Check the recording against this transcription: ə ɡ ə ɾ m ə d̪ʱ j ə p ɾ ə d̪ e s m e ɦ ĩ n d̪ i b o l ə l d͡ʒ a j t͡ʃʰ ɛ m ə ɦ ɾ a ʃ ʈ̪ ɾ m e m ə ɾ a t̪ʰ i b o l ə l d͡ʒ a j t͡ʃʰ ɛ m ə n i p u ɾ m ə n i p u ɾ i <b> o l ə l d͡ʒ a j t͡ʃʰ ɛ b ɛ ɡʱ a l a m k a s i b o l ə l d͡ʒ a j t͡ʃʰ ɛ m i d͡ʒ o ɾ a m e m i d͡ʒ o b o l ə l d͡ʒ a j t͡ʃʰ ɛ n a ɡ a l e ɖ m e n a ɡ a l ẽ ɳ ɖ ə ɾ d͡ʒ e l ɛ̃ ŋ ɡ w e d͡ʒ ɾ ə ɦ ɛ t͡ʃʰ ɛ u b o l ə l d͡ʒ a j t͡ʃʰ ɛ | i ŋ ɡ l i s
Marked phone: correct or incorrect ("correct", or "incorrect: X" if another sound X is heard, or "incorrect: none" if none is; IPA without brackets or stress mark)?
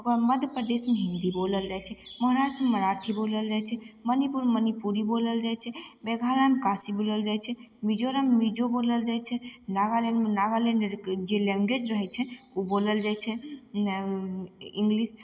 correct